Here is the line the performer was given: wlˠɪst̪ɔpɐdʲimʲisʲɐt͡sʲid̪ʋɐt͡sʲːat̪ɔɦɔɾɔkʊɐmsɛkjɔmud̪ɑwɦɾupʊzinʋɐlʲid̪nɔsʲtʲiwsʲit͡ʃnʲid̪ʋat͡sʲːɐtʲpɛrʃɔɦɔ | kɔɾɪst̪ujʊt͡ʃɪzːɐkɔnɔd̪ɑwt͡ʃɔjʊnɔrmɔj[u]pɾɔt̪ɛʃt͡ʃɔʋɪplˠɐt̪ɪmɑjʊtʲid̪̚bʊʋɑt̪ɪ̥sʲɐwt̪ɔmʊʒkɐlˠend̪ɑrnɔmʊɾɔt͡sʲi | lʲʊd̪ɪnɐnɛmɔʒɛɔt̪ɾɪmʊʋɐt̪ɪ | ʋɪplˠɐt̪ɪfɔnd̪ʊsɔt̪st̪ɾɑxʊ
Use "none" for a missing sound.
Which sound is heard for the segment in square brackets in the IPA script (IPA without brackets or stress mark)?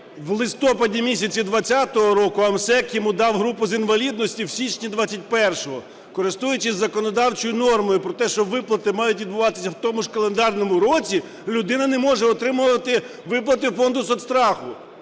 ʊ